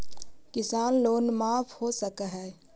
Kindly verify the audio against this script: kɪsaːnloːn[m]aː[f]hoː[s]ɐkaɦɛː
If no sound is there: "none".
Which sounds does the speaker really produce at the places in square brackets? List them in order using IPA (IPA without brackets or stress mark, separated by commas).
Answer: m, f, s